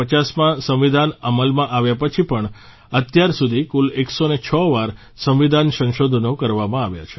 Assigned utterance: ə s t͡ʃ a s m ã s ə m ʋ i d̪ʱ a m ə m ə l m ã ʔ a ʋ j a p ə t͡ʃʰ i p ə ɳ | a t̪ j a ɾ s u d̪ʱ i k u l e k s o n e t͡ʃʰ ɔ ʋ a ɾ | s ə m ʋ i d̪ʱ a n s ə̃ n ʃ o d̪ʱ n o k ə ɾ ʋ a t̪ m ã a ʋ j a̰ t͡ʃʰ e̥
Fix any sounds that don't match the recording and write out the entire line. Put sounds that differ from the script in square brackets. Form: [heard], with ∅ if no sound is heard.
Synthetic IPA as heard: ə [∅] t͡ʃ a s m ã s ə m ʋ i d̪ʱ a [n] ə m ə l m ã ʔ a ʋ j a p ə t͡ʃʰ i p ə ɳ | [ə] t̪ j a ɾ s u d̪ʱ i k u l e k s o n e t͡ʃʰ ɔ ʋ a ɾ | s ə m ʋ i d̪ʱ a n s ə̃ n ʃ o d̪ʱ n o k ə ɾ ʋ a [∅] m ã a ʋ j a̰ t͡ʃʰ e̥